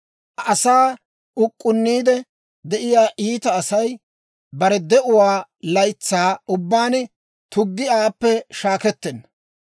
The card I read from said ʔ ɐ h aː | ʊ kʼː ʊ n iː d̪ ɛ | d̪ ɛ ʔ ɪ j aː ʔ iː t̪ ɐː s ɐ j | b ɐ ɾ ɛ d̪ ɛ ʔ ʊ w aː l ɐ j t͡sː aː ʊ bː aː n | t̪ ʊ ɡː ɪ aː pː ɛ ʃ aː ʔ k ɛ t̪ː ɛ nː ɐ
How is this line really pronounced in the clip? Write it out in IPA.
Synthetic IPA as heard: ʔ ɐ s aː | ʊ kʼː ʊ nː iː d̪ ɛ | d̪ ɛ ʔ ɪ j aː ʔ iː t̪ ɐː s ɐ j | b ɐ ɾ ɛ d̪ ɛ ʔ ʊ w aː l ɐ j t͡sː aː ʊ bː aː n | t̪ ʊ ɡː ɪ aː pː ɛ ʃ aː k ɛ t̪ː ɛ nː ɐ